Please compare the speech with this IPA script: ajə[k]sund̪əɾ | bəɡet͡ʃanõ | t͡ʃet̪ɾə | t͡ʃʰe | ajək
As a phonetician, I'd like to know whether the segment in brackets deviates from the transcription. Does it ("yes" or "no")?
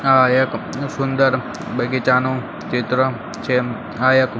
no